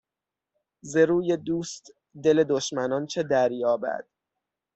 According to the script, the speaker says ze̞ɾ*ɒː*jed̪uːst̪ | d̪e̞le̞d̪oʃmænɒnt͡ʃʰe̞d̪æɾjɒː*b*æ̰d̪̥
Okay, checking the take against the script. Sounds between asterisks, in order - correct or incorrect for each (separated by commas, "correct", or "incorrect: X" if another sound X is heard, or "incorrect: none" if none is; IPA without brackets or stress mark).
incorrect: uː, correct